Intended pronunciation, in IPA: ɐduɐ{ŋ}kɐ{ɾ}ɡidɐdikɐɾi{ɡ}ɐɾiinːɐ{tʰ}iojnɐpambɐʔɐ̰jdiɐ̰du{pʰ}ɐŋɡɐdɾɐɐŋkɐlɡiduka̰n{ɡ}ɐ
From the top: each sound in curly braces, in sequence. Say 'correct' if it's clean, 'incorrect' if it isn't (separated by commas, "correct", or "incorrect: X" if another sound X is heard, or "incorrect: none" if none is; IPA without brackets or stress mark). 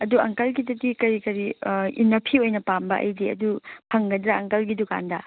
correct, incorrect: l, incorrect: k, incorrect: pʰ, correct, incorrect: d